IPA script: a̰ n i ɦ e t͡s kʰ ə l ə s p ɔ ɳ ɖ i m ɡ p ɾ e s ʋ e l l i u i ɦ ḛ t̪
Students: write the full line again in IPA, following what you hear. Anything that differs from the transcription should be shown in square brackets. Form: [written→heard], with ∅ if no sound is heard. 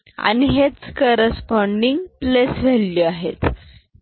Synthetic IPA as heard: a̰ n i ɦ e t͡s [kʰ→k] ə [l→ɾ] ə s p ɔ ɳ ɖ i [m→ŋ] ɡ p [ɾ→l] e s ʋ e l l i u [i→a] ɦ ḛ t̪